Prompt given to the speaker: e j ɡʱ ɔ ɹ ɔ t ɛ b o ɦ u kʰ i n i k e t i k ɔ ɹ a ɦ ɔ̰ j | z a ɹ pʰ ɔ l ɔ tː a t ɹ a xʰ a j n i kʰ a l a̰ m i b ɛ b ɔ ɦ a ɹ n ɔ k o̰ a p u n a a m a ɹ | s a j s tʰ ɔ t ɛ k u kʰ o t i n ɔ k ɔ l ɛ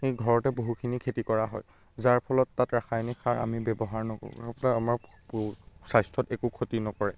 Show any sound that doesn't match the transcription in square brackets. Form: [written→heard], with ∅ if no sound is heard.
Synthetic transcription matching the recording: e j ɡʱ ɔ ɹ ɔ t ɛ b o ɦ u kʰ i n i [k→kʰ] e t i k ɔ ɹ a ɦ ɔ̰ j | z a ɹ pʰ ɔ l ɔ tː a t ɹ a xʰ a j n i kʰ a [l→ɹ] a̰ m i b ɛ b ɔ ɦ a ɹ n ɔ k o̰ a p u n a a m a ɹ | s a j s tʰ ɔ t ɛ k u kʰ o t i n ɔ k ɔ [l→ɹ] ɛ